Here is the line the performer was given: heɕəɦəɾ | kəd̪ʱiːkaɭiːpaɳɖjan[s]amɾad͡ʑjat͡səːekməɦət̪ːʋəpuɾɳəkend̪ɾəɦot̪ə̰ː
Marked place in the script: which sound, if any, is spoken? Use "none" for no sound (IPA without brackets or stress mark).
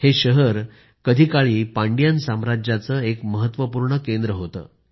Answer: s